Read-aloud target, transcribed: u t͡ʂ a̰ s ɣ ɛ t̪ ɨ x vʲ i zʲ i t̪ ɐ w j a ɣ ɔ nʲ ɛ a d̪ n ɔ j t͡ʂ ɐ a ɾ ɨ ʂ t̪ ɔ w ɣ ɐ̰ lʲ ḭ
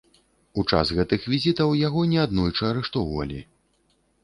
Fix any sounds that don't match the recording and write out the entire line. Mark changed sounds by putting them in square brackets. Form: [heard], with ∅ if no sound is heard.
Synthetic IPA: u t͡ʂ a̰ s ɣ ɛ t̪ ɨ x vʲ i zʲ i t̪ ɐ w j a ɣ ɔ nʲ ɛ a d̪ n ɔ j t͡ʂ ɐ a ɾ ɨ ʂ t̪ ɔ w [v] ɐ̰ lʲ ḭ